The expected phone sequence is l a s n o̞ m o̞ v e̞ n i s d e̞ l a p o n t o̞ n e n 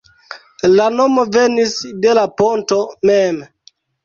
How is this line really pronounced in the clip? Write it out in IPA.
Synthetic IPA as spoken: l a n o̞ m o̞ v e̞ n i s d e̞ l a p o n t o̞ m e m